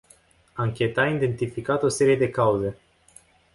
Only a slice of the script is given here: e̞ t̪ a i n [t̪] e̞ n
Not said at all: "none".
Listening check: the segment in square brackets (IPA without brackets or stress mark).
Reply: d̪